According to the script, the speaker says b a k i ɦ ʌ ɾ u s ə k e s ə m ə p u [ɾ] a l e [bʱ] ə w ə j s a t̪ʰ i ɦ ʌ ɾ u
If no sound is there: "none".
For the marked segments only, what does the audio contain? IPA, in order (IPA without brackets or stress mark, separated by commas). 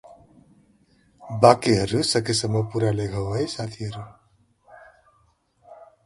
ɾ, ɡʱ